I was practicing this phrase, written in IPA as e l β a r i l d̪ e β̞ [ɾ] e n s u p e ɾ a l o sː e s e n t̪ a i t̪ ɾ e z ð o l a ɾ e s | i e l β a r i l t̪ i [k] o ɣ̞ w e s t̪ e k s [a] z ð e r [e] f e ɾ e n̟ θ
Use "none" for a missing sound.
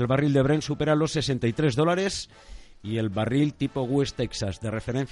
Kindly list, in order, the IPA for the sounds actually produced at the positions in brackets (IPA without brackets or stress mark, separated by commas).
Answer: ɾ, p, a, e